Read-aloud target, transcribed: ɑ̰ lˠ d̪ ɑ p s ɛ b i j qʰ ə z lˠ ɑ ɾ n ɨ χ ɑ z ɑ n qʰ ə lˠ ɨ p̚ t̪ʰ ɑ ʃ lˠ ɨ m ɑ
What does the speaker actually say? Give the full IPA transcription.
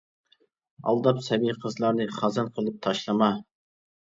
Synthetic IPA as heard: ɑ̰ lˠ d̪ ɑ p s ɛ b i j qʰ ə z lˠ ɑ ɾ n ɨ χ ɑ z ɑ n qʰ ə lˠ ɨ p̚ t̪ʰ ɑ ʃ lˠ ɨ m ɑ